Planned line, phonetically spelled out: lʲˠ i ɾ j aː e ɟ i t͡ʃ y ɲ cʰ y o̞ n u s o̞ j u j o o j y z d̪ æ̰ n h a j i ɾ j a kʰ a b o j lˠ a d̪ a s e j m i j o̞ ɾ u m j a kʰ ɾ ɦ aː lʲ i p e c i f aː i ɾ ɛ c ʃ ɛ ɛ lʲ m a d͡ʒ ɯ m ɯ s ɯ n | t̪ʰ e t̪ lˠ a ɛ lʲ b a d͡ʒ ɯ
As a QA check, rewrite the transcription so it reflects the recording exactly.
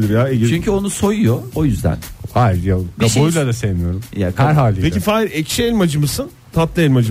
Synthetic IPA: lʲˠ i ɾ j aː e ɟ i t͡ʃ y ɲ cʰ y o̞ n u s o̞ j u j o o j y z d̪ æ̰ n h a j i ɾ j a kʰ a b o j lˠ a d̪ a s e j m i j o̞ ɾ u m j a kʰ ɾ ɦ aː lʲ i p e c i f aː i ɾ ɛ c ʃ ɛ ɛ lʲ m a d͡ʒ ɯ m ɯ s ɯ n | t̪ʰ a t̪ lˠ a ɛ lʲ m a d͡ʒ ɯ